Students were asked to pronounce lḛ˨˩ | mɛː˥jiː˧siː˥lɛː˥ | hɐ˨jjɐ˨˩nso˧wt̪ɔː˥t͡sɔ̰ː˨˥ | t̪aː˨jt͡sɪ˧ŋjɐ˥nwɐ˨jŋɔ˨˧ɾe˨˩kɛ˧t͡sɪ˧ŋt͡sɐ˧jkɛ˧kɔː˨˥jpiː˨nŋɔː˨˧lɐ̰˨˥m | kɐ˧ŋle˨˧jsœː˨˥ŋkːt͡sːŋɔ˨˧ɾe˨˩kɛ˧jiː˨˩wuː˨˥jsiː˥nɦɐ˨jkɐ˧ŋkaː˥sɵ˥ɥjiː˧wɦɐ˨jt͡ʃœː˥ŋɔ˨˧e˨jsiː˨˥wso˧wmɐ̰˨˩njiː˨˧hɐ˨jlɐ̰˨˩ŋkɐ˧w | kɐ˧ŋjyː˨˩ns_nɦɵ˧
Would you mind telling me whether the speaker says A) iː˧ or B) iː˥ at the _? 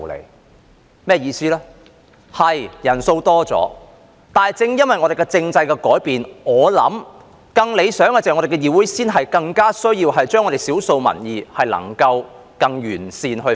A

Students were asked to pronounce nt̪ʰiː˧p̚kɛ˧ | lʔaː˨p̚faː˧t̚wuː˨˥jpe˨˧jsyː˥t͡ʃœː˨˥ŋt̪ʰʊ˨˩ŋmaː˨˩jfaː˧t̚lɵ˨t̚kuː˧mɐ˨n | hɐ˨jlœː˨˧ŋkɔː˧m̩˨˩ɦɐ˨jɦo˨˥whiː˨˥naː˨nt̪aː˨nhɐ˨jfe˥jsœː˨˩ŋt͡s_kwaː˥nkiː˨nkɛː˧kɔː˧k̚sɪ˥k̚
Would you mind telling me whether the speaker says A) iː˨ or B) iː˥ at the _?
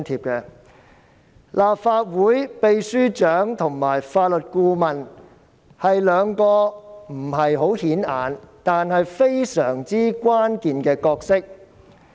B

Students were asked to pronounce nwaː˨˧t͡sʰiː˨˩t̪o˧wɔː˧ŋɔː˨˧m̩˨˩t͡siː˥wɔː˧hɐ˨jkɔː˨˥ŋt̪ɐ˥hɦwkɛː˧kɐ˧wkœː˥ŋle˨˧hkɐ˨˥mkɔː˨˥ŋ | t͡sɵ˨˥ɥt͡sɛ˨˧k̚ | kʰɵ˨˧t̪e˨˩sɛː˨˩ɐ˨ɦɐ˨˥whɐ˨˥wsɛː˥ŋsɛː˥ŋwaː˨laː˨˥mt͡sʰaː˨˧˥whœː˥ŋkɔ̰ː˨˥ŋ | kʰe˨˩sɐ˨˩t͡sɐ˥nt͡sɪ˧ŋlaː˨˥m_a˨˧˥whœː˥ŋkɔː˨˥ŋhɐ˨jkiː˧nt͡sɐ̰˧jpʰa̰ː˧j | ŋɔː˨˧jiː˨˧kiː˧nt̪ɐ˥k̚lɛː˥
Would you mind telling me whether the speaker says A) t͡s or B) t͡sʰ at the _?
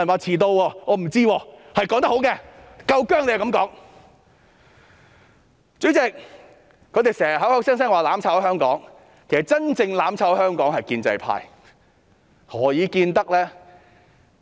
B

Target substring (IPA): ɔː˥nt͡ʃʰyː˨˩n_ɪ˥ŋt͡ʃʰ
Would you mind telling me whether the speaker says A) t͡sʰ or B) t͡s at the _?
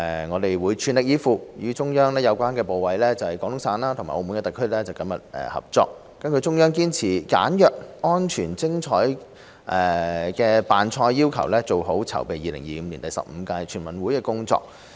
B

